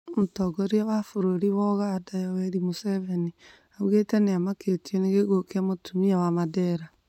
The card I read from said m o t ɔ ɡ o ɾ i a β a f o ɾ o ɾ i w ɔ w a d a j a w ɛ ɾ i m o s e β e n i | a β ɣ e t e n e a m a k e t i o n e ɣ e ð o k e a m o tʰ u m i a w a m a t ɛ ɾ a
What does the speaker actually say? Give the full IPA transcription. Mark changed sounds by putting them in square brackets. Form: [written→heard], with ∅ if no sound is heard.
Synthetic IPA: m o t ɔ ɡ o ɾ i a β a f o ɾ o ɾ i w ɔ [w→ɣ] a d a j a w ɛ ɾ i m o s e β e n i | a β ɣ e t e n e a m a k e t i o n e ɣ e [ð→ɣ] o k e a m o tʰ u m i a w a m a [t→d] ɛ ɾ a